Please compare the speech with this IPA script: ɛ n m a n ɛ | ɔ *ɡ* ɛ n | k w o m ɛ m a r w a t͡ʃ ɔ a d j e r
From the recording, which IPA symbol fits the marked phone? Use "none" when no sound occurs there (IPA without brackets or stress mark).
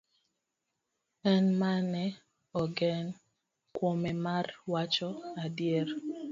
ɡ